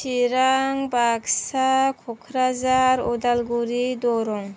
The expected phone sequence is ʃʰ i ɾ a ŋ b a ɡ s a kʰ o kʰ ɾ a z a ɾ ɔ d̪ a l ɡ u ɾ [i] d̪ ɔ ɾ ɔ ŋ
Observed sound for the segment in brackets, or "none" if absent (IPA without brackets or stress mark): i